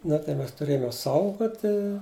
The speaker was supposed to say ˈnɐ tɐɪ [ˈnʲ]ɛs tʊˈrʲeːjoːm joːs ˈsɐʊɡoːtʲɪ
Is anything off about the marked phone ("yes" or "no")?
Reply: yes